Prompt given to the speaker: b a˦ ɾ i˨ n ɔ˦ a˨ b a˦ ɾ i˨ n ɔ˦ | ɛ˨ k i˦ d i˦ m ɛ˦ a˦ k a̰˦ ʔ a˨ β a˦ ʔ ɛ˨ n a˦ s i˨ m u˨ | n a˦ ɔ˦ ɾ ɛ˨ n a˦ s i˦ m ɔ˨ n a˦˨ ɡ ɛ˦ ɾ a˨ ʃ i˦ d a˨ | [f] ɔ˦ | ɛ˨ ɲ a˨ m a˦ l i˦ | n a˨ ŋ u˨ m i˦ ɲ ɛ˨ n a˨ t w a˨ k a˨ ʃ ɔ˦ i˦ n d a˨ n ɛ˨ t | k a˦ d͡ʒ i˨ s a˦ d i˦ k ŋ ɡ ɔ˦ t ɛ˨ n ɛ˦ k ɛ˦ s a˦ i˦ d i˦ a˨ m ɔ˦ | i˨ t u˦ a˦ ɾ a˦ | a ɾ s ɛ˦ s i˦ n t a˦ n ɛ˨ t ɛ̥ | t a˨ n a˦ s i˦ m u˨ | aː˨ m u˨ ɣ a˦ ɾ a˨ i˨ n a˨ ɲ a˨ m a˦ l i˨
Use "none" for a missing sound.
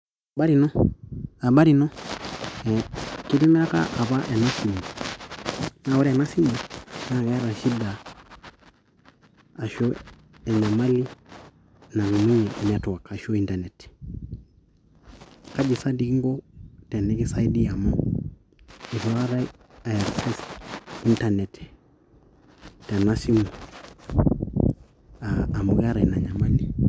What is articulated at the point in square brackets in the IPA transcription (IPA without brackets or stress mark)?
ʃ